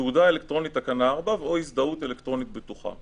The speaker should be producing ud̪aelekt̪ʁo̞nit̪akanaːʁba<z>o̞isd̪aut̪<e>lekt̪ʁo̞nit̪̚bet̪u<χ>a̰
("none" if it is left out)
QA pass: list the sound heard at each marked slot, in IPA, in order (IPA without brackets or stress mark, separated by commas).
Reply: v, e, χ